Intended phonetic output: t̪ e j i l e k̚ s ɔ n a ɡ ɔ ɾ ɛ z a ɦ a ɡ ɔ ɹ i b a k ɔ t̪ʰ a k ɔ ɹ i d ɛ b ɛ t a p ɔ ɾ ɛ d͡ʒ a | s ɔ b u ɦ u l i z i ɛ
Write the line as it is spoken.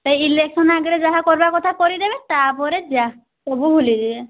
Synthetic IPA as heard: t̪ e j i l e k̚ s ɔ n a ɡ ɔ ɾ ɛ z a ɦ a k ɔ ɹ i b a k ɔ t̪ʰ a k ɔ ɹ i d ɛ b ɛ t a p ɔ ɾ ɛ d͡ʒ a | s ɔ b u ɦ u l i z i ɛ

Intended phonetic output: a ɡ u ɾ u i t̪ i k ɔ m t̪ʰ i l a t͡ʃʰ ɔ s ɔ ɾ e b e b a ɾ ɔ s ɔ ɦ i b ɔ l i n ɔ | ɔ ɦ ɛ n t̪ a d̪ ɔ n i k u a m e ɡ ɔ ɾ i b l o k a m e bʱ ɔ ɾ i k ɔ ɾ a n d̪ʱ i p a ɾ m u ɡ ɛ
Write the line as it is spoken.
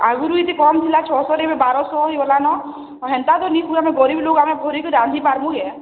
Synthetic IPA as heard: a ɡ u ɾ u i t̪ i k ɔ m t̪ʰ i l a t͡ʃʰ ɔ s ɔ ɾ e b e b a ɾ ɔ s ɔ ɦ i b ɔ l a n ɔ | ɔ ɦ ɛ n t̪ a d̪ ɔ n i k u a m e ɡ ɔ ɾ i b l o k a m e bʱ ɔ ɾ i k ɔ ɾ a n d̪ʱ i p a ɾ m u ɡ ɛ

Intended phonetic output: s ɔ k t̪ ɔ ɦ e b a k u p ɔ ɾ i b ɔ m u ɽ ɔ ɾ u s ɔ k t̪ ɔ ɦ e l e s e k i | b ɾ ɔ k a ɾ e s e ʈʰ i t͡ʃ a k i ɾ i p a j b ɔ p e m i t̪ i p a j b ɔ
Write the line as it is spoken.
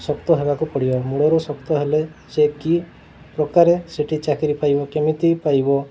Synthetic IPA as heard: s ɔ k t̪ ɔ ɦ e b a k u p ɔ ɽ i b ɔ m u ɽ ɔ ɾ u s ɔ k t̪ ɔ ɦ e l e s e k i | p ɾ ɔ k a ɾ e s e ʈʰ i t͡ʃ a k i ɾ i p a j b ɔ k e m i t̪ i p a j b ɔ

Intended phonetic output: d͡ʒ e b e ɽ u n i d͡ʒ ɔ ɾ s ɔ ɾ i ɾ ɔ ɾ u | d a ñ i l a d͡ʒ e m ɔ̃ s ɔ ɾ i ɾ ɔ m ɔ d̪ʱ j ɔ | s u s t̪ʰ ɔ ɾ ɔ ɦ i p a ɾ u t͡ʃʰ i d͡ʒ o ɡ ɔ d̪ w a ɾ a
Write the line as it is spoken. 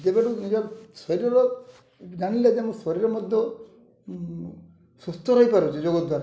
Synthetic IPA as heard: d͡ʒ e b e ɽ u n i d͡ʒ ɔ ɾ s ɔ ɾ i ɾ ɔ ɾ ɔ | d a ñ i l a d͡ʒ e m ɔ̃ s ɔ ɾ i ɾ ɔ m ɔ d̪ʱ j ɔ | s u s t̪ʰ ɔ ɾ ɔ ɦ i p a ɾ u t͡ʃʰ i d͡ʒ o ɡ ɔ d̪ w a ɾ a

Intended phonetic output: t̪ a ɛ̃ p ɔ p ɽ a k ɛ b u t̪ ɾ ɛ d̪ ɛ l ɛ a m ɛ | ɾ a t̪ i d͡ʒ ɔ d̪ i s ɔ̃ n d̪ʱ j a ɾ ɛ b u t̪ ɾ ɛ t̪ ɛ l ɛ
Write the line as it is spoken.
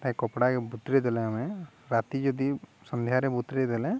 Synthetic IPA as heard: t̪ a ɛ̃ k ɔ p ɽ a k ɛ b u t̪ ɾ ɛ d̪ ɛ l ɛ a m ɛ | ɾ a t̪ i d͡ʒ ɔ d̪ i s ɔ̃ n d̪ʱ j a ɾ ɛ b u t̪ ɾ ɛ d̪ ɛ l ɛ

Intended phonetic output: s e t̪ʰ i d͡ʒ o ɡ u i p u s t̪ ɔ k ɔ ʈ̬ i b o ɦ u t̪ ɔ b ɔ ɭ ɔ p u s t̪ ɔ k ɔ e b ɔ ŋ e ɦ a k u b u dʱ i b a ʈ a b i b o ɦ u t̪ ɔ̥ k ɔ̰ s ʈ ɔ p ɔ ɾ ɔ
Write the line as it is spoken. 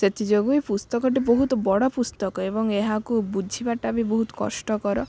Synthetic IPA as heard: s e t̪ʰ i d͡ʒ o ɡ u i p u s t̪ ɔ k ɔ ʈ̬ i b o ɦ u t̪ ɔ b ɔ ɽ ɔ p u s t̪ ɔ k ɔ e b ɔ ŋ e ɦ a k u b u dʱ i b a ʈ a b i b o ɦ u t̪ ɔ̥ k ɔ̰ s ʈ ɔ k ɔ ɾ ɔ

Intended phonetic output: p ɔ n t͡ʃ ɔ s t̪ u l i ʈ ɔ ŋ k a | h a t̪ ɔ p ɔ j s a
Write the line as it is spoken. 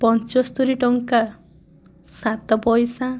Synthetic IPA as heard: p ɔ n t͡ʃ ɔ s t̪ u ɾ i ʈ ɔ ŋ k a | s a t̪ ɔ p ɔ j s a

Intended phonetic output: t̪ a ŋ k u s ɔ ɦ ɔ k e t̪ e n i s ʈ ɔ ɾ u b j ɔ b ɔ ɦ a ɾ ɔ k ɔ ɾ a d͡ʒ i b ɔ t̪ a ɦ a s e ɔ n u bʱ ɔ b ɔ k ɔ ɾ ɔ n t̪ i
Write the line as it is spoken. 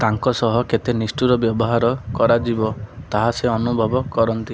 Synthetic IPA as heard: t̪ a ŋ k ɔ s ɔ ɦ ɔ k e t̪ e n i s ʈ u ɾ ɔ b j ɔ b ɔ ɦ a ɾ ɔ k ɔ ɾ a d͡ʒ i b ɔ t̪ a ɦ a s e ɔ n u bʱ ɔ b ɔ k ɔ ɾ ɔ n t̪ i

